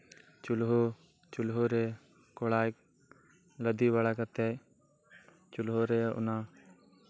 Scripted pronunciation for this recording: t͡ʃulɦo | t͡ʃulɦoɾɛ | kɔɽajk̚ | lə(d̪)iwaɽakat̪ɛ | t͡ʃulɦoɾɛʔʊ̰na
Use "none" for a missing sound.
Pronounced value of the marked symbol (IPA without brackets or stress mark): d̪